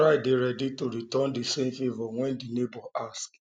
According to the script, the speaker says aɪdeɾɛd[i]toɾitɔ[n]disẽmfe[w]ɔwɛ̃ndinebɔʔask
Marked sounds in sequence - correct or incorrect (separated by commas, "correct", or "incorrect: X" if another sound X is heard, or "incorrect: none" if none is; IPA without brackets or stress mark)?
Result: correct, correct, incorrect: v